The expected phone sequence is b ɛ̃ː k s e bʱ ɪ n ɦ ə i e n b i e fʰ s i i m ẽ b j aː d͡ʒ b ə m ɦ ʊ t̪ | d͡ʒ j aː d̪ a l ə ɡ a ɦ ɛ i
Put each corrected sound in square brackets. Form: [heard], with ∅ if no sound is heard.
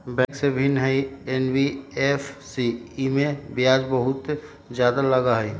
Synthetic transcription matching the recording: b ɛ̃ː k s e bʱ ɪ n ɦ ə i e n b i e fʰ s i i m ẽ b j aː d͡ʒ b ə [∅] ɦ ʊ t̪ | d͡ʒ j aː d̪ a l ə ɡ a ɦ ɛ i